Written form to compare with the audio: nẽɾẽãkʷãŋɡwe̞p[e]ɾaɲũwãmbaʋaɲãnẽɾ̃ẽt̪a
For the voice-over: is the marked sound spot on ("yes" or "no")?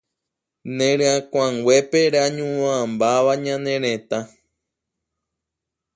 yes